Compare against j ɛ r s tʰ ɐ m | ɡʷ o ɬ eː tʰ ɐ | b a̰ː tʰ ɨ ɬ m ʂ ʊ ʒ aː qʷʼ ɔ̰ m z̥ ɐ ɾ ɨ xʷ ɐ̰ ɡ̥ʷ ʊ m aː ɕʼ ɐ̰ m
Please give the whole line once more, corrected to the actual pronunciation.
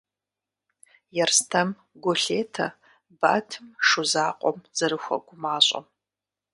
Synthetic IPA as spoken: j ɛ r s tʰ ɐ m | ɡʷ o ɬ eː tʰ ɐ | b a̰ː tʰ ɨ m ʂ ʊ z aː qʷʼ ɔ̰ m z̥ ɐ ɾ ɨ xʷ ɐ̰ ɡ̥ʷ ʊ m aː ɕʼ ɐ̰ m

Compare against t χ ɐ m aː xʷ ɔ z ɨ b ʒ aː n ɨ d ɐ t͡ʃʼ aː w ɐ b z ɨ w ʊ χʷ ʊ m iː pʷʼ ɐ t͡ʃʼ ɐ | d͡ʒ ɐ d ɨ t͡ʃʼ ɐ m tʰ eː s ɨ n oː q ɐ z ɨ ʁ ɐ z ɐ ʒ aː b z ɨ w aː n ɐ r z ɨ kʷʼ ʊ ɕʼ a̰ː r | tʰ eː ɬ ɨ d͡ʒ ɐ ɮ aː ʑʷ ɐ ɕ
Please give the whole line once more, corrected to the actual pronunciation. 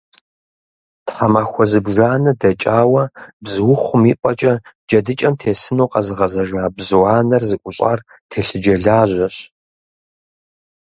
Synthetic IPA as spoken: t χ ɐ m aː xʷ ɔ z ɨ b ʒ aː n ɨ d ɐ t͡ʃʼ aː w ɐ b z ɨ w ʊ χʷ ʊ m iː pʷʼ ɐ t͡ʃʼ ɐ | d͡ʒ ɐ d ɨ t͡ʃʼ ɐ m tʰ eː s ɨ n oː q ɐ z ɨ ʁ ɐ z ɐ ʒ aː b z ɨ w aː n ɐ r z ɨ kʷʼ ʊ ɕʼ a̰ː r | tʰ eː ɬ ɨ d͡ʒ ɐ ɮ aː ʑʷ ɐ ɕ

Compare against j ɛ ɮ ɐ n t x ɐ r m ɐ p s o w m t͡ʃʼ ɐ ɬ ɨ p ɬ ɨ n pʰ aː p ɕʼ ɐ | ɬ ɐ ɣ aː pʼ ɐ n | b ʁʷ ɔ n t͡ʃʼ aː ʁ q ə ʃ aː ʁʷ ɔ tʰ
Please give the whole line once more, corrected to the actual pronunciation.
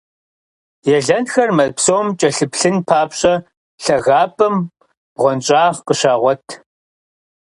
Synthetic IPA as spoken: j ɛ ɮ ɐ n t x ɐ r m ɐ p s o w m t͡ʃʼ ɐ ɬ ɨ p ɬ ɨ n pʰ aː p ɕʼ ɐ | ɬ ɐ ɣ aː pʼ ɐ m | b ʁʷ ɔ n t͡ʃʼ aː ʁ q ə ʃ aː ʁʷ ɔ tʰ

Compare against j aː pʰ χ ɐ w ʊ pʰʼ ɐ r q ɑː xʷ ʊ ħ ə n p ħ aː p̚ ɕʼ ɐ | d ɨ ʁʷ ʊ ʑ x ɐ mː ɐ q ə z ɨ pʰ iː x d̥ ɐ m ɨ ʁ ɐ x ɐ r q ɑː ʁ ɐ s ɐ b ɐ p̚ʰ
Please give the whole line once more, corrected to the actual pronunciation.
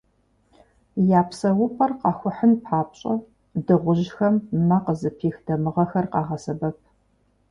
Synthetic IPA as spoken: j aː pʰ s ɐ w ʊ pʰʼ ɐ r q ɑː xʷ ʊ ħ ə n p ħ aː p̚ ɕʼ ɐ | d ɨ ʁʷ ʊ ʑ x ɐ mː ɐ q ə z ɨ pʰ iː x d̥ ɐ m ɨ ʁ ɐ x ɐ r q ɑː ʁ ɐ s ɐ b ɐ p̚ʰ

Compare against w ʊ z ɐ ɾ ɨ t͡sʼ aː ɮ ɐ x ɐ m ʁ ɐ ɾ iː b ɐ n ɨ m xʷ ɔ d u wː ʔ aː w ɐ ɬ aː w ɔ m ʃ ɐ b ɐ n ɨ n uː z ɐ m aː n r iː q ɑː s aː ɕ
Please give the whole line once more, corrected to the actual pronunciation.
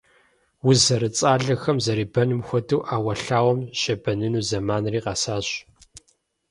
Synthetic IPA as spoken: w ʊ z ɐ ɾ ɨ t͡sʼ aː ɮ ɐ x ɐ m z ɐ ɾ iː b ɐ n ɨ m xʷ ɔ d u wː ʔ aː w ɐ ɬ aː w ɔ m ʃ ɐ b ɐ n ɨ n uː z ɐ m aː n r iː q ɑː s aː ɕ

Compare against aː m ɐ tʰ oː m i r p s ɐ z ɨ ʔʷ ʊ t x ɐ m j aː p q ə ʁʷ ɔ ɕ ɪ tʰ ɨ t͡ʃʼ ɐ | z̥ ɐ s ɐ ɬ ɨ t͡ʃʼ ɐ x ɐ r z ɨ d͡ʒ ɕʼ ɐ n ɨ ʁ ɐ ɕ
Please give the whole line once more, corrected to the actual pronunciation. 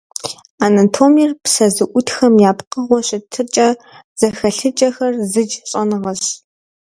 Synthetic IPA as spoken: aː n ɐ tʰ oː m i r p s ɐ z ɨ ʔʷ ʊ t x ɐ m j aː p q ə ʁʷ ɔ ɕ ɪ tʰ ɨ t͡ʃʼ ɐ | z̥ ɐ x ɐ ɬ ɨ t͡ʃʼ ɐ x ɐ r z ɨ d͡ʒ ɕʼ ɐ n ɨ ʁ ɐ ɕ

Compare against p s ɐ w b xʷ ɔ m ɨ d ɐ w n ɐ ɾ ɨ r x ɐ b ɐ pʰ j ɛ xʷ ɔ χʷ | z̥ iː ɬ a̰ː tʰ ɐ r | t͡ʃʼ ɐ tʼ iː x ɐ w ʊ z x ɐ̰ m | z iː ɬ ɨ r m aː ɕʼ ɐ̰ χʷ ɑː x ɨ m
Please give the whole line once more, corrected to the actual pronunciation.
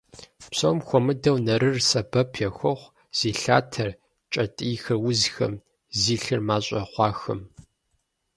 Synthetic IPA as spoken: p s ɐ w m xʷ ɔ m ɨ d ɐ w n ɐ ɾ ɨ r s ɐ b ɐ pʰ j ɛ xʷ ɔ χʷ | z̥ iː ɬ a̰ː tʰ ɐ r | t͡ʃʼ ɐ tʼ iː x ɐ w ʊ z x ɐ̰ m | z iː ɬ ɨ r m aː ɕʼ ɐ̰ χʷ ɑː x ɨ m

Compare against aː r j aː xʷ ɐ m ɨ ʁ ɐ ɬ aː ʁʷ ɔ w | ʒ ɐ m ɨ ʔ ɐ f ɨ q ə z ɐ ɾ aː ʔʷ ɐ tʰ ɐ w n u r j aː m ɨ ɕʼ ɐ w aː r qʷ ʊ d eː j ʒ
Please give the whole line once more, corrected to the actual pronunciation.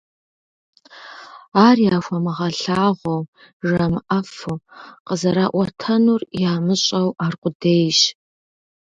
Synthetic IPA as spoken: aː r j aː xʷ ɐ m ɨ ʁ ɐ ɬ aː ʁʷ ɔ w | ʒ ɐ m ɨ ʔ ɐ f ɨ q ə z ɐ ɾ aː ʔʷ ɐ tʰ ɐ n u r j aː m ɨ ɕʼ ɐ w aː r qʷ ʊ d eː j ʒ

